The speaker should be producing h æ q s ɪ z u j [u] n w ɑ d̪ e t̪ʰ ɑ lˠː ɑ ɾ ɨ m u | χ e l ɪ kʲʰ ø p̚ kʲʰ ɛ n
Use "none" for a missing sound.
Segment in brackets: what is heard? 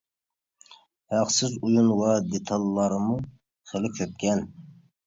u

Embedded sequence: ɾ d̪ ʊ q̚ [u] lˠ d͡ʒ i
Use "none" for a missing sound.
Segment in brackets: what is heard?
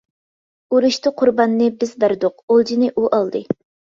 o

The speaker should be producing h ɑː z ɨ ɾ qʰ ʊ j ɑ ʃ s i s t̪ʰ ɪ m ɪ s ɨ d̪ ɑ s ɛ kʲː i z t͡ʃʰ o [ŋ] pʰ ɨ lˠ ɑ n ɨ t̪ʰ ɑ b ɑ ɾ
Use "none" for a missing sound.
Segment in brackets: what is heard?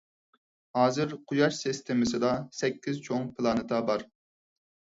ŋ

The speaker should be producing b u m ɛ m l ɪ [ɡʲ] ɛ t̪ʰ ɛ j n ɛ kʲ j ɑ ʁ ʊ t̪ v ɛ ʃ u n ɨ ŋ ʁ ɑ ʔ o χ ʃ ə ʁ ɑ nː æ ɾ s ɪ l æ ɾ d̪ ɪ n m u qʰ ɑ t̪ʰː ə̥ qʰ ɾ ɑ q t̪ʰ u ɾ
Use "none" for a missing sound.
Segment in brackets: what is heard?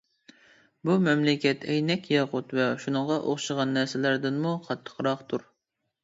kʲ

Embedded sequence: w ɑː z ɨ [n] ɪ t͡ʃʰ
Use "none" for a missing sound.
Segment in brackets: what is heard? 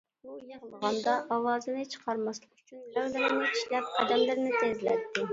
n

